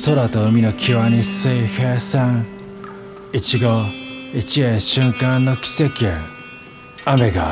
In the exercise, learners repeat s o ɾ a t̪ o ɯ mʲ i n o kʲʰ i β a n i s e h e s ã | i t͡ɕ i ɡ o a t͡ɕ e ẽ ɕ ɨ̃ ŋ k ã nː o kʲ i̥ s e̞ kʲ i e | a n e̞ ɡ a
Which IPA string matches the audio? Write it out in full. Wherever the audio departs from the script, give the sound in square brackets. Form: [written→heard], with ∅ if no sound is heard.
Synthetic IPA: s o ɾ a t̪ o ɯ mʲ i n o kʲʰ i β a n i s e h e s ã | i t͡ɕ i ɡ o [a→i] t͡ɕ [e→i] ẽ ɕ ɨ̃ ŋ k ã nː o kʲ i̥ s e̞ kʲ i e | a [n→m] e̞ ɡ a